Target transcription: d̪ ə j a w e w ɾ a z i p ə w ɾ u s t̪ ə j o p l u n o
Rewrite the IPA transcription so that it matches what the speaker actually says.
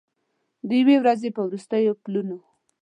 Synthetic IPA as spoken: d̪ ə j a w e w ɾ a z e p ə w ɾ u s t̪ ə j o p l u n o